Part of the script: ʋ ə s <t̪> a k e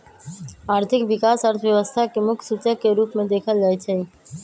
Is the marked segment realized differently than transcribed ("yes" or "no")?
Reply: yes